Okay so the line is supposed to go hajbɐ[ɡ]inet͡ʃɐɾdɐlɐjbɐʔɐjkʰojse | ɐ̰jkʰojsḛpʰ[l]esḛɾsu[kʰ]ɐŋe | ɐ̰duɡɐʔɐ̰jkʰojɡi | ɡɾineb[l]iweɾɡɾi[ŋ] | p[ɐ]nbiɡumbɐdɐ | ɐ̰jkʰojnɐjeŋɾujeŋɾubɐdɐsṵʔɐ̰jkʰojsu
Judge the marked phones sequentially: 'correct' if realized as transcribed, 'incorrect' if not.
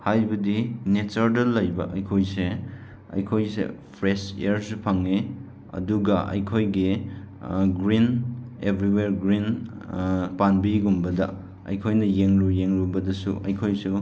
incorrect: d, incorrect: ɾ, incorrect: pʰ, incorrect: ɾ, incorrect: n, incorrect: a

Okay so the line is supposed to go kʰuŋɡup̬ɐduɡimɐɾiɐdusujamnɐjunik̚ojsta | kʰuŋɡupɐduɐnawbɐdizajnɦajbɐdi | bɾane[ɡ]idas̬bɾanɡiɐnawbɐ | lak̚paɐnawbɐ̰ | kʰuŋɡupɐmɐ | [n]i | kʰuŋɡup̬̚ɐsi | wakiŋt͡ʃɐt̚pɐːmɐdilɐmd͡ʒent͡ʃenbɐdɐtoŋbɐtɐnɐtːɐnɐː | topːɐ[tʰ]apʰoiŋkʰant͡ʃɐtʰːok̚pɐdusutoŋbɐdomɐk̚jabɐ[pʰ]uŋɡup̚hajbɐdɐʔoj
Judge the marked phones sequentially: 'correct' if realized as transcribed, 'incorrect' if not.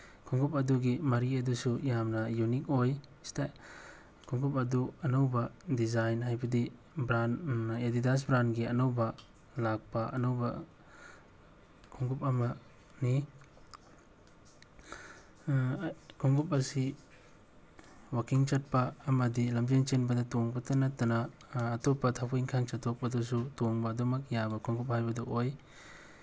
incorrect: d, correct, correct, incorrect: kʰ

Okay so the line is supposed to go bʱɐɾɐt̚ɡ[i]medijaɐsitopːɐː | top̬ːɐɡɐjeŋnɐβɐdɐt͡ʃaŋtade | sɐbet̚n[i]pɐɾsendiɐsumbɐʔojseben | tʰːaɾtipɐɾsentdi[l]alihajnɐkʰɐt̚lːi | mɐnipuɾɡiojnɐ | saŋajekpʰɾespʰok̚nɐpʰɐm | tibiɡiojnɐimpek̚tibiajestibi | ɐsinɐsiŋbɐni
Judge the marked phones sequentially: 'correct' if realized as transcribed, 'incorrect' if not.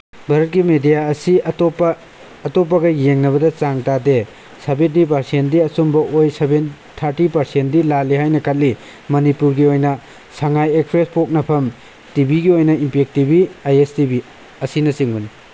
correct, correct, correct

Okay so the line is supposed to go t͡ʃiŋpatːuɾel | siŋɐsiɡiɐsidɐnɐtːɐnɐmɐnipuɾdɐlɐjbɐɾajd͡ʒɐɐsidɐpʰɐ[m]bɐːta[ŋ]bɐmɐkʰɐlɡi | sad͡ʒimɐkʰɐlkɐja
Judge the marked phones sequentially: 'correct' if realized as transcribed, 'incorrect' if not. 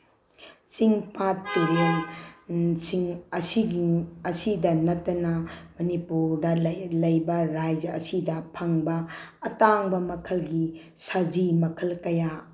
incorrect: ŋ, correct

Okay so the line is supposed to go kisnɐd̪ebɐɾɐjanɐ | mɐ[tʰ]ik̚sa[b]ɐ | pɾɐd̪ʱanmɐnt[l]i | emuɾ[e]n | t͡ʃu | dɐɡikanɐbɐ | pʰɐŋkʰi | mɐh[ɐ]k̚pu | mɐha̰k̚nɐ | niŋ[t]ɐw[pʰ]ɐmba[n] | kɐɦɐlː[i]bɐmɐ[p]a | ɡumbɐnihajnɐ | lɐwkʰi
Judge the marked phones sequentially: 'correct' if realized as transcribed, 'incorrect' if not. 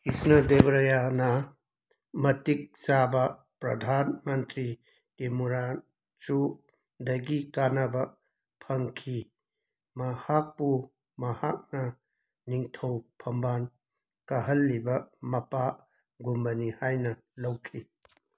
incorrect: t, correct, incorrect: ɾ, incorrect: a, incorrect: a, incorrect: tʰ, correct, correct, correct, correct

